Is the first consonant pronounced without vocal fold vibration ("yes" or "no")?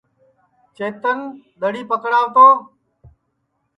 yes